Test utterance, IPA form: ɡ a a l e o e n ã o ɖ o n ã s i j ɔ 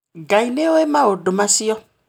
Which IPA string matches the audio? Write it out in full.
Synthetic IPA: ɡ a i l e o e m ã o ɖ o m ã s i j ɔ